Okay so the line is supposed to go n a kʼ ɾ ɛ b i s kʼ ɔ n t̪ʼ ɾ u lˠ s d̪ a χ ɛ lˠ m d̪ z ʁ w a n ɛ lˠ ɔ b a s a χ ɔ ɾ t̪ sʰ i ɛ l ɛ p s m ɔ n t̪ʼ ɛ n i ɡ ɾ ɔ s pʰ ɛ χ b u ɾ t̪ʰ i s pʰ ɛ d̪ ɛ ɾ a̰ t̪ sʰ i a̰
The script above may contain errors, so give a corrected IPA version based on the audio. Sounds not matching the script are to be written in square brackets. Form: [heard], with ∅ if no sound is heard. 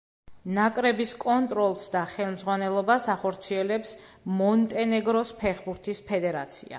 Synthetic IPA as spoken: n a kʼ ɾ ɛ b i s kʼ ɔ n t̪ʼ ɾ [ɔ] lˠ s d̪ a χ ɛ lˠ m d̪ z ʁ w a n ɛ lˠ ɔ b a s a χ ɔ ɾ t̪ sʰ i ɛ l ɛ p s m ɔ n t̪ʼ ɛ n [ɛ] ɡ ɾ ɔ s pʰ ɛ χ b u ɾ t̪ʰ i s pʰ ɛ d̪ ɛ ɾ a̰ t̪ sʰ i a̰